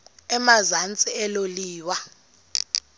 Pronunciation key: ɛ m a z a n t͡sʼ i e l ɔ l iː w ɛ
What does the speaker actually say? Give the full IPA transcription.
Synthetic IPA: ɛ m a z a n t͡sʼ i ɛ l o l iː w a

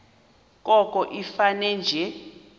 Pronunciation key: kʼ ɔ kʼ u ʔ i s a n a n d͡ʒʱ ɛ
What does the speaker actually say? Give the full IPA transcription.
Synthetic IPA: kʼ ɔ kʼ ɔ ʔ i f a n ɛ n d͡ʒʱ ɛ

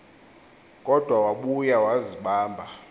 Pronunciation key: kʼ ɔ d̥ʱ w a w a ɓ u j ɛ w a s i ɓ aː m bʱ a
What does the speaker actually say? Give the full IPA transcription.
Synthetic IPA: kʼ ɔ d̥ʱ w a w a ɓ u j a w a z i ɓ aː m bʱ a

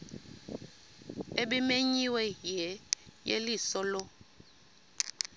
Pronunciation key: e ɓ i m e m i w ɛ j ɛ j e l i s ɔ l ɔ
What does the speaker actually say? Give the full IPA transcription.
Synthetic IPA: e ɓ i m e ɲ i w ɛ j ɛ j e l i s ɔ l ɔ

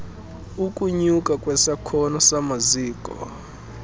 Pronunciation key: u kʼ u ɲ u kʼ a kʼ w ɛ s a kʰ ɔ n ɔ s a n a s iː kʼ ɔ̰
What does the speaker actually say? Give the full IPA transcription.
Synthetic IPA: u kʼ u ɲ u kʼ a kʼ w ɛ s a kʰ ɔ n ɔ s a m a z iː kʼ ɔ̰

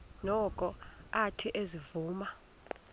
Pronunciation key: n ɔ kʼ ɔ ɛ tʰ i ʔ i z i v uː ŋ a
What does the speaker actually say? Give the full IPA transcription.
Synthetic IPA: n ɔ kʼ ɔ a tʰ i ʔ e z i v uː m a

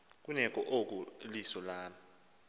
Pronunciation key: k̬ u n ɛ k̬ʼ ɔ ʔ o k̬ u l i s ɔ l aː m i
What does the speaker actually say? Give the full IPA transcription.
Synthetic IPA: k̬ u n ɛ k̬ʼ ɔ ʔ o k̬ u l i s ɔ l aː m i

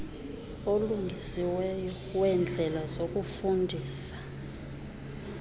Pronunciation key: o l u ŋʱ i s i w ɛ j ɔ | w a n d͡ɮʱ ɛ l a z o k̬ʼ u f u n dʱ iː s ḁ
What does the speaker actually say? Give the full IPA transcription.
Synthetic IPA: o l u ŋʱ i s i w ɛ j ɔ | w ɛ n d͡ɮʱ ɛ l a z o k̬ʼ u f u n dʱ iː s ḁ

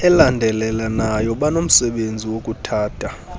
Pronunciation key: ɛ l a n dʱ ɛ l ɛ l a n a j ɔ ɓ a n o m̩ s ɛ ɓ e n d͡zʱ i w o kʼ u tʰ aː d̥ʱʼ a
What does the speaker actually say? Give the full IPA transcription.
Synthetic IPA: ɛ l a n dʱ ɛ l ɛ l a n a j ɔ ɓ a n o m̩ s ɛ ɓ e n d͡zʱ i w o kʼ u tʰ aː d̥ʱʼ a

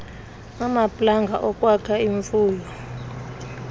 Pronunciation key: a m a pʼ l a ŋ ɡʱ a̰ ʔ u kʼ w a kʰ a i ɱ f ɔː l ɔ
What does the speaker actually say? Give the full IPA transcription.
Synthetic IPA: a m a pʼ l a ŋ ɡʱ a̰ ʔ ɔ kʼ w a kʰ a i ɱ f uː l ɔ

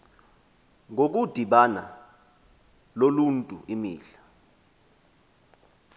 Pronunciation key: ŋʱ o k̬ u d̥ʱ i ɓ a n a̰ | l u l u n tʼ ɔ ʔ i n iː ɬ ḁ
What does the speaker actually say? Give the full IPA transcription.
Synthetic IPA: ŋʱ o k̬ u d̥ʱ i ɓ a n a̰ | l o l u n tʼ u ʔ i m iː ɬ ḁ

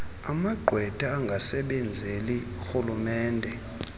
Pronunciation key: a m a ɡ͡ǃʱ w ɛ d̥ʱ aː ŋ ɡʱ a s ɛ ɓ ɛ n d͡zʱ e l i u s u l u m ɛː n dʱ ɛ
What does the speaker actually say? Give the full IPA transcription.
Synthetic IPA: a m a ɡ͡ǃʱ w ɛ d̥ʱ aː ŋ ɡʱ a s ɛ ɓ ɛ n d͡zʱ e l i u x u l u m ɛː n dʱ ɛ

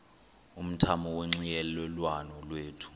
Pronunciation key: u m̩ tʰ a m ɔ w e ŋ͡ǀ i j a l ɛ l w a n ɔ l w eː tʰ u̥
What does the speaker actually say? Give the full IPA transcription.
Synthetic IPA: u m̩ tʰ a m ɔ w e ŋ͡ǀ i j ɛ l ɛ l w a n ɔ l w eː tʰ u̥

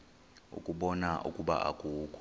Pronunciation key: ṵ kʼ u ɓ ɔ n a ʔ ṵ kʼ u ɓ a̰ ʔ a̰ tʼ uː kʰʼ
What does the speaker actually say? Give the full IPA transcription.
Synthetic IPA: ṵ kʼ u ɓ ɔ n a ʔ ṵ kʼ u ɓ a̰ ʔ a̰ kʼ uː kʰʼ

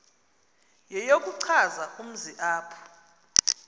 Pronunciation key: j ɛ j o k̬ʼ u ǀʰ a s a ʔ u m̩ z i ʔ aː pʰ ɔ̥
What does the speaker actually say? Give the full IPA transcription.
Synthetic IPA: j ɛ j o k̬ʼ u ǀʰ a z a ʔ u m̩ z i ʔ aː pʰ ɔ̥

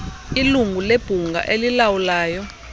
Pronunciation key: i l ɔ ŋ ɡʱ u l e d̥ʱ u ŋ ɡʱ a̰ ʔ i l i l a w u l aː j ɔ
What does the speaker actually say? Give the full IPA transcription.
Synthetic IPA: i l u ŋ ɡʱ u l e b̥ʱ u ŋ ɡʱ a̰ ʔ e l i l a w u l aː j ɔ

